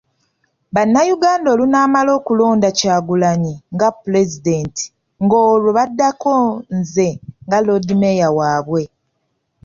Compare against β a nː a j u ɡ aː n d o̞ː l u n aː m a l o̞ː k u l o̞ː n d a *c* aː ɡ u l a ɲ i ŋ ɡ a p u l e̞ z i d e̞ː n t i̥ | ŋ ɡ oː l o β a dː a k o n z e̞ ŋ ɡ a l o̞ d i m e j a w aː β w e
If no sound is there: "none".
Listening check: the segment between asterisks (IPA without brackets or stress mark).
c